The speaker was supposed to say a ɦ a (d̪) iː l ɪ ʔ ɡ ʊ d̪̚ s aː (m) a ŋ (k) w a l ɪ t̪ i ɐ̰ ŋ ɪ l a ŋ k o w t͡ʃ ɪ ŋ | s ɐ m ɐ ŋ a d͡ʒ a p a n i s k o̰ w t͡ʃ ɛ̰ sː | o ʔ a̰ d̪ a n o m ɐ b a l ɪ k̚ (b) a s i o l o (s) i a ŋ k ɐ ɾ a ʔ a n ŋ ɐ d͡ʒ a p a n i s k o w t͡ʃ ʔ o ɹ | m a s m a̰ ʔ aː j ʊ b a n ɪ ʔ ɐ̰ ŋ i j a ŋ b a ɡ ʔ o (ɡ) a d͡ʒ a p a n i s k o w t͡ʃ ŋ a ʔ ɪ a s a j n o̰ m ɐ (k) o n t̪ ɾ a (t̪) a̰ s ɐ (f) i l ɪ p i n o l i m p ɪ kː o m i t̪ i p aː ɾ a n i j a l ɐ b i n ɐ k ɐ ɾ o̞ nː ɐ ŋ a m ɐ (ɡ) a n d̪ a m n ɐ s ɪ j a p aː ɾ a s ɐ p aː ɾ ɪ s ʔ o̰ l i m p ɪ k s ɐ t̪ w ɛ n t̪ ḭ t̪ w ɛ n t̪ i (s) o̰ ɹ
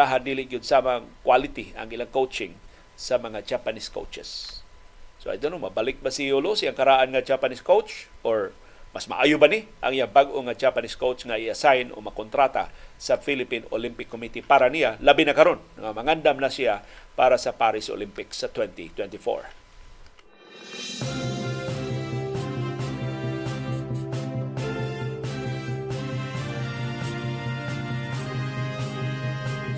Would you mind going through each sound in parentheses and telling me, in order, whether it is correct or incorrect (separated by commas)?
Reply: correct, correct, correct, correct, correct, incorrect, correct, correct, correct, incorrect, incorrect